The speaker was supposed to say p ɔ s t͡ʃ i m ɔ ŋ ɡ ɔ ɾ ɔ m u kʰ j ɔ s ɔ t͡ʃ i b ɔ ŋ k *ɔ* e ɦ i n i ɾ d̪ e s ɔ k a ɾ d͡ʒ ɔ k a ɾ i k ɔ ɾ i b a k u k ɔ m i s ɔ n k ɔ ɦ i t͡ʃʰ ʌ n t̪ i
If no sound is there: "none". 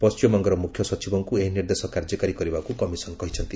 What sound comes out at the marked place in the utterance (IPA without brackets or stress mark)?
u